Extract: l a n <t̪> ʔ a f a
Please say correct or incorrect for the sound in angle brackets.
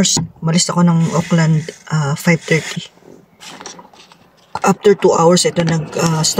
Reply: incorrect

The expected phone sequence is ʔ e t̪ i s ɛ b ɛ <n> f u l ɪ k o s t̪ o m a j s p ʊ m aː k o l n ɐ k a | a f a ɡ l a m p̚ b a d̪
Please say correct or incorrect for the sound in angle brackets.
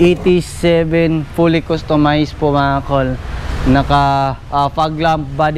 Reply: correct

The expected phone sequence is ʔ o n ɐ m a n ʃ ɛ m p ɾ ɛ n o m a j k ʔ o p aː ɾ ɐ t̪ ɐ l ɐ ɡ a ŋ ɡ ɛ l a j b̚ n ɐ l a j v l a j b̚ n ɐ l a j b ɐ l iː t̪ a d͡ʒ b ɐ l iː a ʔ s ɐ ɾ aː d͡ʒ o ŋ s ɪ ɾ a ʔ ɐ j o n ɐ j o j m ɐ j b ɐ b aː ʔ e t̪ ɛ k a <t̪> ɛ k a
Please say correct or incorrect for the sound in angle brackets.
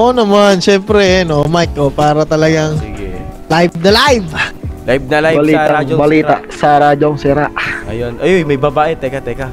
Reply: correct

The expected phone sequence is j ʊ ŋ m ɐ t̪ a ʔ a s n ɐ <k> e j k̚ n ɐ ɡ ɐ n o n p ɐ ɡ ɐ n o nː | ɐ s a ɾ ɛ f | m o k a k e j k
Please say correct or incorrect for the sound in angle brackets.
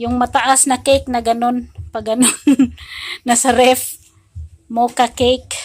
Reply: correct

